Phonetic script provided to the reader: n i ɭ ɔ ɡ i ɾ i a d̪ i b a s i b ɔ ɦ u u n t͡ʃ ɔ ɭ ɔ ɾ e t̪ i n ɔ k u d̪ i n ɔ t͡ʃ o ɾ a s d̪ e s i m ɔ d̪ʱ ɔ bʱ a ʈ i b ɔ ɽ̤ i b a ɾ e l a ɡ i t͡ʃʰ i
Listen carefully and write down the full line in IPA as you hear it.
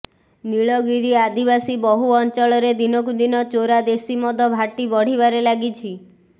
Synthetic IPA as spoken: n i ɭ ɔ ɡ i ɾ i a d̪ i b a s i b ɔ ɦ u ɔ n t͡ʃ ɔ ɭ ɔ ɾ e d̪ i n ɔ k u d̪ i n ɔ t͡ʃ o ɾ a d̪ e s i m ɔ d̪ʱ ɔ bʱ a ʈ i b ɔ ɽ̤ i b a ɾ e l a ɡ i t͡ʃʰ i